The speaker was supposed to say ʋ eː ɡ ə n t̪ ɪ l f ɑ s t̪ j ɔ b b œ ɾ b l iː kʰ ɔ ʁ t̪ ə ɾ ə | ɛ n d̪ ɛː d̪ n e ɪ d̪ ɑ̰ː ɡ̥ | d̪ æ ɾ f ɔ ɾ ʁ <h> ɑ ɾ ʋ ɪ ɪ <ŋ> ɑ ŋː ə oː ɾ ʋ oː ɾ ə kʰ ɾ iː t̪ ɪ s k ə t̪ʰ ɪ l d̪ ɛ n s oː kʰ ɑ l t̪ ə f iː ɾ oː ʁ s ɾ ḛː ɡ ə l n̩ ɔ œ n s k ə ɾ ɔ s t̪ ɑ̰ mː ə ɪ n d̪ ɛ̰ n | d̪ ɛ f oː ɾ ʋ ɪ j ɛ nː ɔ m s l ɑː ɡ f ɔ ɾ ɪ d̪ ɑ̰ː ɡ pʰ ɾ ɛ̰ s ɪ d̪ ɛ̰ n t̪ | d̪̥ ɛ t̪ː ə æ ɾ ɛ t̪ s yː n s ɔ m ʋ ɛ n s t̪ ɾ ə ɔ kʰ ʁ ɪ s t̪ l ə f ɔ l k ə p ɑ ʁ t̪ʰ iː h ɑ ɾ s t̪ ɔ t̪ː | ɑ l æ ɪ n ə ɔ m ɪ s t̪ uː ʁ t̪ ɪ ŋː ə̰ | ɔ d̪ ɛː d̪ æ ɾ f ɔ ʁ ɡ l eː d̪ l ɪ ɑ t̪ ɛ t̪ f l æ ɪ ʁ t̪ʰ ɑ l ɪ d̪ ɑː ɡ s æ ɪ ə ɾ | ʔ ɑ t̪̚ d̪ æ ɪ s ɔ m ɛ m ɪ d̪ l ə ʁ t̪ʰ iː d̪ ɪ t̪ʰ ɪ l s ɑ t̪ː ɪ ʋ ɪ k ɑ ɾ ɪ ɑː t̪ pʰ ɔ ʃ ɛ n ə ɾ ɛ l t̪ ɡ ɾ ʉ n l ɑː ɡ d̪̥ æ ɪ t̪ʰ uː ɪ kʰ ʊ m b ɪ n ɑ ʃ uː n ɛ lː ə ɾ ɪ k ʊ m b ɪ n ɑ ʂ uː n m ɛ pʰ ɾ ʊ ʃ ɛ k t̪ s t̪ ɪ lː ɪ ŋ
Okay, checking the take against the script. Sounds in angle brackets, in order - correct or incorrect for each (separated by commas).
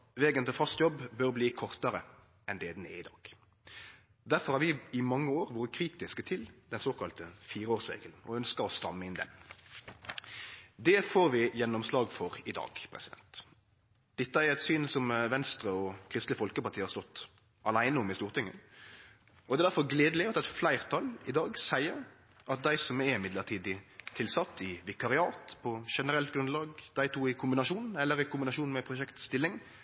correct, incorrect